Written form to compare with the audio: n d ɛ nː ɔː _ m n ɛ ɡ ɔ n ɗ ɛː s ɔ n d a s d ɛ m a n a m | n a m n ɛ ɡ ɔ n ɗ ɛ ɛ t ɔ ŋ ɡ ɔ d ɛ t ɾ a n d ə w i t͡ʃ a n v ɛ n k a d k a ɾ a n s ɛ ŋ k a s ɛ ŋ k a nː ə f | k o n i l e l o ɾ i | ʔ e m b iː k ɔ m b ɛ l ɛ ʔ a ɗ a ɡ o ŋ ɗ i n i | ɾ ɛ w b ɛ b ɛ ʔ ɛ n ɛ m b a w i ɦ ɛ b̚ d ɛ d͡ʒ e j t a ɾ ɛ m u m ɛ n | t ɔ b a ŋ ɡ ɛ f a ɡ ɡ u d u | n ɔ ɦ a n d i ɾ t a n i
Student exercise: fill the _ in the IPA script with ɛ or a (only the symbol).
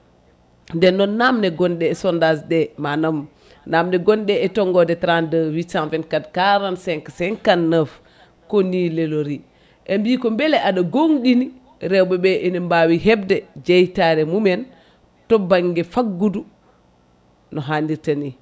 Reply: a